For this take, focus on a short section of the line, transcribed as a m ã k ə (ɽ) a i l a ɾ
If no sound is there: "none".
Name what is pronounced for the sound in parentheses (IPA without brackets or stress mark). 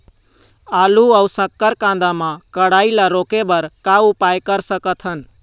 ɽ